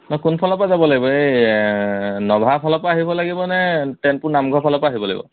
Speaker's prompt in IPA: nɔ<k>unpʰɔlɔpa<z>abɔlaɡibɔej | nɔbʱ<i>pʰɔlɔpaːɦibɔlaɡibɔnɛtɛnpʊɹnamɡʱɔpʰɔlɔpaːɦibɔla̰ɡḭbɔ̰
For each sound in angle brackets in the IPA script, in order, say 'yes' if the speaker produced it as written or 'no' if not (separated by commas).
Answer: yes, yes, no